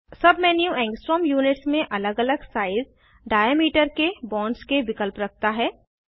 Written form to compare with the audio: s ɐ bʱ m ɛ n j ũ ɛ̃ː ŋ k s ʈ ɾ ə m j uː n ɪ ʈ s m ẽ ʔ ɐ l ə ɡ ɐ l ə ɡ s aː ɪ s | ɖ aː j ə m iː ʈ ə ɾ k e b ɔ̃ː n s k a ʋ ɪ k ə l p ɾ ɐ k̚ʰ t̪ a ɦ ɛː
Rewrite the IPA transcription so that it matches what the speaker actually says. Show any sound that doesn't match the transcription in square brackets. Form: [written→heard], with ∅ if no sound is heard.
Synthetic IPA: s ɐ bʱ m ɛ n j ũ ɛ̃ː ŋ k s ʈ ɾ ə m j uː n ɪ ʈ s m ẽ ʔ ɐ l ə ɡ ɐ l ə ɡ s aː ɪ [s→z] | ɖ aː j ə m iː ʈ ə ɾ k e b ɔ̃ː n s k [a→e] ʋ ɪ k ə l p ɾ ɐ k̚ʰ t̪ a ɦ ɛː

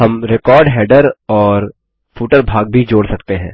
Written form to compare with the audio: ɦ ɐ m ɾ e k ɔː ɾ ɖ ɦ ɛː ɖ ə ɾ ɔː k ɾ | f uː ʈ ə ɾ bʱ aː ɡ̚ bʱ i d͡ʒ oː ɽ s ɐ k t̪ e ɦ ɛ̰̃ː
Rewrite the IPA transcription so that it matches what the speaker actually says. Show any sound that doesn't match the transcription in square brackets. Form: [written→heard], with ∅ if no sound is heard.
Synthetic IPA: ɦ ɐ m ɾ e k ɔː ɾ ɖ ɦ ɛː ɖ ə ɾ ɔː [k→∅] ɾ | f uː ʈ ə ɾ bʱ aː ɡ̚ bʱ i d͡ʒ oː ɽ s ɐ k t̪ e ɦ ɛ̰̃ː

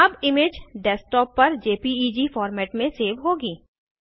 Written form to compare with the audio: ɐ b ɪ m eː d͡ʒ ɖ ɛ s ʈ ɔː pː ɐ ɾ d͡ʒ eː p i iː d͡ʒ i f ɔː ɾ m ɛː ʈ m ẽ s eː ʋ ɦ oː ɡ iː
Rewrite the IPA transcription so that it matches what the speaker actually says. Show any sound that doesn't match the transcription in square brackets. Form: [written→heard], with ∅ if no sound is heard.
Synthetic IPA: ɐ b ɪ m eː d͡ʒ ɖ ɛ s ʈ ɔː pː ɐ ɾ d͡ʒ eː p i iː d͡ʒ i f ɔː ɾ m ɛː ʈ m ẽ s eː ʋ ɦ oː ɡ iː

